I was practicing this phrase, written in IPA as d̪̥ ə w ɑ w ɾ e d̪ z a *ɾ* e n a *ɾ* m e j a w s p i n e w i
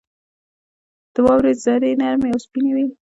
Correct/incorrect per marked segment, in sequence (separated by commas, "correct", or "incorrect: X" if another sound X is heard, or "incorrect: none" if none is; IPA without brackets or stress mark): correct, correct